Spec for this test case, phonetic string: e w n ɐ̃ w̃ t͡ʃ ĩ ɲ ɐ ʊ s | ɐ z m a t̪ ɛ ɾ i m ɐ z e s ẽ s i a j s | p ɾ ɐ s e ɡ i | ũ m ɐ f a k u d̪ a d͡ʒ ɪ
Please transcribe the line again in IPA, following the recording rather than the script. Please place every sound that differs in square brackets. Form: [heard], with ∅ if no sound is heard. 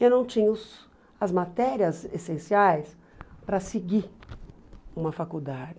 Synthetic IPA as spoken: e w n ɐ̃ w̃ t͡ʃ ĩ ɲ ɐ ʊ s | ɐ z m a t̪ ɛ ɾ i [∅] ɐ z e s ẽ s i a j s | p ɾ ɐ s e ɡ i | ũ m ɐ f a k u d̪ a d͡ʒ ɪ